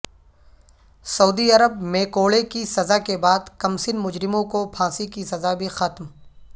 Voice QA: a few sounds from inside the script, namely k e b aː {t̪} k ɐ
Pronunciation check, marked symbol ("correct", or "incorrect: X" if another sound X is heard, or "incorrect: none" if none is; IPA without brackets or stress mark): incorrect: d̪